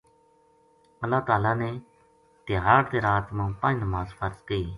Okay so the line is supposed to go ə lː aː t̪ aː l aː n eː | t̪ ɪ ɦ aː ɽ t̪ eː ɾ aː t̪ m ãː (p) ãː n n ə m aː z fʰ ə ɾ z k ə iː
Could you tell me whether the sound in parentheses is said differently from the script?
no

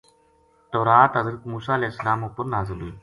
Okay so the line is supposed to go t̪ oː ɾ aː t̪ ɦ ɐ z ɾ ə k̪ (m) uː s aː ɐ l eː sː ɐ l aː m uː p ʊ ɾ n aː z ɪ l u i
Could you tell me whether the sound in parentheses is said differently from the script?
no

